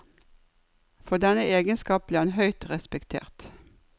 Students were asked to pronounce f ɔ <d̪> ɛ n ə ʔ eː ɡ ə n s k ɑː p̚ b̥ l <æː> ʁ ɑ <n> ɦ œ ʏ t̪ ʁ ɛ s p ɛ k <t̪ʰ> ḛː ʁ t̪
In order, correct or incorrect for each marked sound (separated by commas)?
correct, incorrect, correct, correct